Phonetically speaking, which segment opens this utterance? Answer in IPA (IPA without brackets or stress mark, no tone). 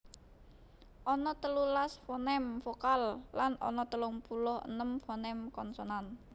ʔ